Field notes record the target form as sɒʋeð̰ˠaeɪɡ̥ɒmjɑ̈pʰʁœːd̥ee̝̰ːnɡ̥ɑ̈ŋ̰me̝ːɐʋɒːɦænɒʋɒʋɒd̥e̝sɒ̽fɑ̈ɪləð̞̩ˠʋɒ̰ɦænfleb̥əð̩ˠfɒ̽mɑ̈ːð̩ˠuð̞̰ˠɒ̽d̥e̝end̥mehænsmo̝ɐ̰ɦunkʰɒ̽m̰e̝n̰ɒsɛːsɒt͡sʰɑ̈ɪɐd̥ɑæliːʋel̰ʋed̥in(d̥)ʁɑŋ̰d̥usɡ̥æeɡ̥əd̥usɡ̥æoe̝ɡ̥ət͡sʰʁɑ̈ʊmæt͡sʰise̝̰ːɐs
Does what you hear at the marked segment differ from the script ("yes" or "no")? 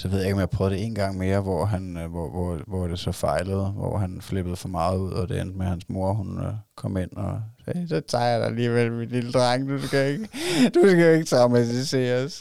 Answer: no